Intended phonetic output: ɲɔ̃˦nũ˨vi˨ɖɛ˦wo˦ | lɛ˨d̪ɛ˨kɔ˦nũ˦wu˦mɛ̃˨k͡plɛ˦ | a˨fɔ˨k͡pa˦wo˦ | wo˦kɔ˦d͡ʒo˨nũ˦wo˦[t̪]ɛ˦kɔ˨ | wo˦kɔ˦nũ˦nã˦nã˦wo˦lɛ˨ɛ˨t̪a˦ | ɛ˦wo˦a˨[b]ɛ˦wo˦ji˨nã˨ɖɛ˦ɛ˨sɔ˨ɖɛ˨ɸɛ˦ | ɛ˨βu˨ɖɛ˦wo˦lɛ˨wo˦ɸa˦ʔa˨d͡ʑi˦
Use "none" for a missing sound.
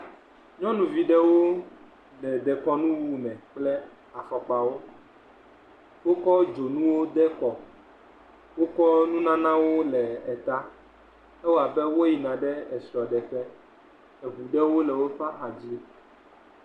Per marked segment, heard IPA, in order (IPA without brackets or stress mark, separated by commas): d̪, b